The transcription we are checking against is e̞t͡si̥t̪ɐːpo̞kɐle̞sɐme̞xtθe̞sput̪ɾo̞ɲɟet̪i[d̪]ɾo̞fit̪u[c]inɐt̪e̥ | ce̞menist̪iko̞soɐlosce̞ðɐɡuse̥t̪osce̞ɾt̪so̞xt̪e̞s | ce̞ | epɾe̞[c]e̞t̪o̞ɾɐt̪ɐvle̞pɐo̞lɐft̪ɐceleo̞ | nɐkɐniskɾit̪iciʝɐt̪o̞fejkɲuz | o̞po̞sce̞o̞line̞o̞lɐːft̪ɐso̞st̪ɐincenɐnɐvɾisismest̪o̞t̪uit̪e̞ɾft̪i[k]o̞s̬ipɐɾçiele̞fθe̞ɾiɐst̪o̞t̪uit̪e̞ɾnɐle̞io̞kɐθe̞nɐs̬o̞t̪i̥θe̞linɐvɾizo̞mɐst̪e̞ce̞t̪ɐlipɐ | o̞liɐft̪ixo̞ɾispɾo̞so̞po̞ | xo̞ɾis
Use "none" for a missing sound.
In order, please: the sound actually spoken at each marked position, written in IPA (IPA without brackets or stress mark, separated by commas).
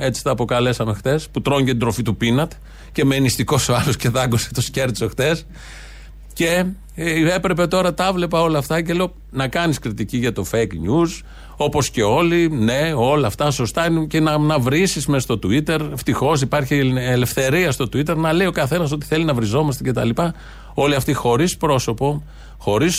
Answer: d̪, p, p, x